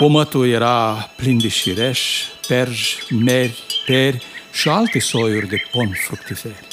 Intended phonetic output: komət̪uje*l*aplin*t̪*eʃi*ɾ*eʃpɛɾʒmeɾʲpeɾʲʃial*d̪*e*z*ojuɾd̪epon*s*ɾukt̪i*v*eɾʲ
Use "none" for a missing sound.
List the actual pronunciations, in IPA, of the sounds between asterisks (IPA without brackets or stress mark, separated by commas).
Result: ɾ, d̪, ɾ, t̪, s, f, f